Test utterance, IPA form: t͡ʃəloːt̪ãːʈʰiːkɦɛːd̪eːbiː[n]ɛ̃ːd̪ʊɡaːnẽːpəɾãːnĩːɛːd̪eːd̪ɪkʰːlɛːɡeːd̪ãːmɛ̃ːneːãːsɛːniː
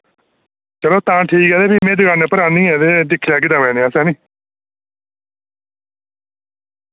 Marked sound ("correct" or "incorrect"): incorrect